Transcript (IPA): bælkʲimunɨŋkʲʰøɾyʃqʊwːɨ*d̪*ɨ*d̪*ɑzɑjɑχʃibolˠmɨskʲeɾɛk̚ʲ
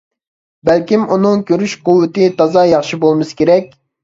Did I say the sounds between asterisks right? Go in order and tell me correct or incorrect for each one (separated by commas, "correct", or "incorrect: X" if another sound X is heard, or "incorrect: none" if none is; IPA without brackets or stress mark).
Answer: incorrect: t̪, incorrect: t̪